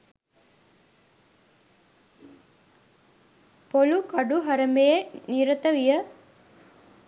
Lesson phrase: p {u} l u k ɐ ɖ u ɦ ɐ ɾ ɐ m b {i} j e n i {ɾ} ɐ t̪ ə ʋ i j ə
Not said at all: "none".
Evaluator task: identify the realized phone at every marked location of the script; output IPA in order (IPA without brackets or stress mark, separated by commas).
o, e, ɾ